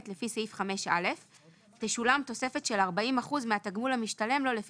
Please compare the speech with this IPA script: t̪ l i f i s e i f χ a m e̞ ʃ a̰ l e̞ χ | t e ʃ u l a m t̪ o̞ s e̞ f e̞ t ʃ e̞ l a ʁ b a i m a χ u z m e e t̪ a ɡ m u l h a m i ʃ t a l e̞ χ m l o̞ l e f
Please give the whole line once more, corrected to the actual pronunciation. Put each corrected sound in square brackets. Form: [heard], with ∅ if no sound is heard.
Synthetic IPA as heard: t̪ l [e] f i s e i f χ a m e̞ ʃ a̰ l e̞ [f] | t e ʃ u l a m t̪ o̞ s e̞ f e̞ t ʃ e̞ l a ʁ b a i m a χ u z m e [a] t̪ a ɡ m u l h a m i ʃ t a l e̞ [∅] m l o̞ l e f